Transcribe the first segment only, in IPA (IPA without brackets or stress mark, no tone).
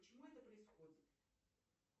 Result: p